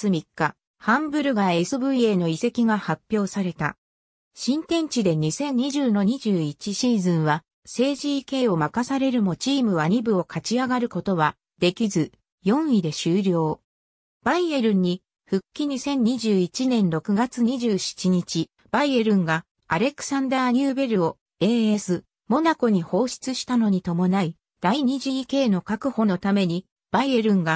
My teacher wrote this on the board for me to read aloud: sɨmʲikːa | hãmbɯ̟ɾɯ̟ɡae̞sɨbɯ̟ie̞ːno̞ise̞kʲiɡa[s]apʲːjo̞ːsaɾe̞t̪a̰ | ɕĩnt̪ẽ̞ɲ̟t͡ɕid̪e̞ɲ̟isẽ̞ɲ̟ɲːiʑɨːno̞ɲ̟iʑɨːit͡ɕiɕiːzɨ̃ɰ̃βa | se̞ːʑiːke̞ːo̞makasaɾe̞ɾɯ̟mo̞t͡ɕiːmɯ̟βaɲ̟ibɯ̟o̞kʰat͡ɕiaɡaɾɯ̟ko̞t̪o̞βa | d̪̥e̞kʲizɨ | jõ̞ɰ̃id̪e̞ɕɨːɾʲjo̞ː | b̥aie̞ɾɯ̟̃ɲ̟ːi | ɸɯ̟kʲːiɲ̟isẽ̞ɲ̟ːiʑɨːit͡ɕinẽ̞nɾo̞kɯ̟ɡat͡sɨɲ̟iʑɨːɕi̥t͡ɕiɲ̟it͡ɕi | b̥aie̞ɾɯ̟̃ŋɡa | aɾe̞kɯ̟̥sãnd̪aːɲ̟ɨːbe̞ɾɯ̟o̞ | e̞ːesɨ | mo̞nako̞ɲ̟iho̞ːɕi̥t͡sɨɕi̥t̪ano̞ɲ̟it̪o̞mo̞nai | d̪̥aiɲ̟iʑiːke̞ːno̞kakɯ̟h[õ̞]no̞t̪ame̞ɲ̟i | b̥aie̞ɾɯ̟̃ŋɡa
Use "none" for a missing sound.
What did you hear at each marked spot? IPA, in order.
h, o̞

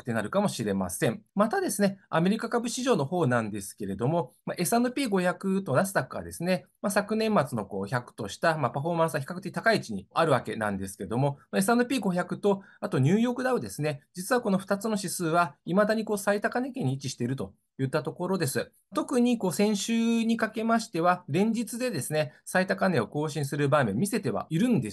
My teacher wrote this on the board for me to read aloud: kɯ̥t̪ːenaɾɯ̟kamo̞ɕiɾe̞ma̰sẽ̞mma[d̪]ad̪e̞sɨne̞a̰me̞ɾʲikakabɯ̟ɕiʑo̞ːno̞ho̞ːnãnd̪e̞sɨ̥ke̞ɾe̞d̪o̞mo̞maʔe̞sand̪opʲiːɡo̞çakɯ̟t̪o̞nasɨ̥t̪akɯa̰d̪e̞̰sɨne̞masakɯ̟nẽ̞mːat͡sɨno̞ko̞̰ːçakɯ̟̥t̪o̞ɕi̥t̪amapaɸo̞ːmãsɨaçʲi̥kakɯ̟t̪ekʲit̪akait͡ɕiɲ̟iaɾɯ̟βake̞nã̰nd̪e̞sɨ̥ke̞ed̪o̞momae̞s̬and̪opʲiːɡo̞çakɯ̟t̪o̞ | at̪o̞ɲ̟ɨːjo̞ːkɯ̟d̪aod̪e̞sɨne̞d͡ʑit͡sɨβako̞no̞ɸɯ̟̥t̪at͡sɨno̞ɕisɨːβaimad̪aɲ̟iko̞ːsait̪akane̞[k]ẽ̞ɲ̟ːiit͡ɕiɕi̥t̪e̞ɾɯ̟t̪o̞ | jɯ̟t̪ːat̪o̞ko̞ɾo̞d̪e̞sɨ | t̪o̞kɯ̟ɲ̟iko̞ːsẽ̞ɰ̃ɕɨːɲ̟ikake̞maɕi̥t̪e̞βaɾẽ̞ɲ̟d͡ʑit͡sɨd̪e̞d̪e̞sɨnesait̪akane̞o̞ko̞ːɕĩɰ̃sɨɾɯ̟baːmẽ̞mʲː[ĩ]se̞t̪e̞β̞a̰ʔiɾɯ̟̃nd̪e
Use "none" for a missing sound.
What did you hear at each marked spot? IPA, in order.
t̪, k, i

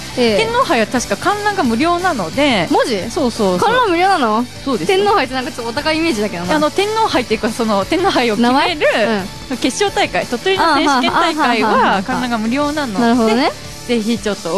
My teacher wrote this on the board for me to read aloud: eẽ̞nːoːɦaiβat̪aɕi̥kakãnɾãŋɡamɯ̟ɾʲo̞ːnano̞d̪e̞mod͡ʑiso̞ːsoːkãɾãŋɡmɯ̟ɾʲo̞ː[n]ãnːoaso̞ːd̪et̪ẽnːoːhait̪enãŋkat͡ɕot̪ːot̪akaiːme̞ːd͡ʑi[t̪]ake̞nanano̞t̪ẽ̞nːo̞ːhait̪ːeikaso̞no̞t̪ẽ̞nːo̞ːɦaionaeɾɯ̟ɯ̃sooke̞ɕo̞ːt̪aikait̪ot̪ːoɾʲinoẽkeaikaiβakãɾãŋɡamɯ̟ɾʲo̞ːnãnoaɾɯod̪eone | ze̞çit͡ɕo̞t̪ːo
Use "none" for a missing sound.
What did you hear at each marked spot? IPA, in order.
n, d̪

